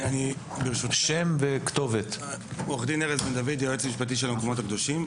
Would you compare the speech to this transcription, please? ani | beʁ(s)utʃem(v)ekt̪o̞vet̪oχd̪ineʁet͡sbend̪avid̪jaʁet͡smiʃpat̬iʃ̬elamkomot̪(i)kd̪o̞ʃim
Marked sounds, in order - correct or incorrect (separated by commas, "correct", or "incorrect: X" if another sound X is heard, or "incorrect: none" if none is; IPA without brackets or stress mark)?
incorrect: ʃ, correct, incorrect: a